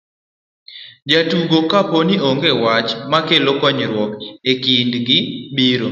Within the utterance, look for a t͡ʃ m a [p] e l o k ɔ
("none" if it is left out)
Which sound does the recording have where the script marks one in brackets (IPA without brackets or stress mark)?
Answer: k